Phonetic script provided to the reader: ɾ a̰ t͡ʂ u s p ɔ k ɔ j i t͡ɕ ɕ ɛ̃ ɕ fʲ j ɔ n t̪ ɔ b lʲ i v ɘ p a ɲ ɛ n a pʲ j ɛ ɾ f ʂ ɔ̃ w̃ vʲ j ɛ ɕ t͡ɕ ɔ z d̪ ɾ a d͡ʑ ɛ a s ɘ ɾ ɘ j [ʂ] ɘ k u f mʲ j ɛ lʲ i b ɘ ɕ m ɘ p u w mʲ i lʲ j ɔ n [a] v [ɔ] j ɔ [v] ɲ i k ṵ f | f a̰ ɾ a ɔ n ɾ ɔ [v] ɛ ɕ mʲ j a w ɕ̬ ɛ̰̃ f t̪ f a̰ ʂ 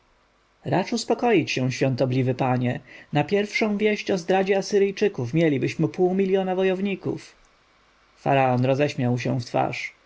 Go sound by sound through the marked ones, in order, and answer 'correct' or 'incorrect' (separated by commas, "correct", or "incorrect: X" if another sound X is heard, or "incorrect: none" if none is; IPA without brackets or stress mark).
incorrect: t͡ʂ, correct, correct, correct, incorrect: z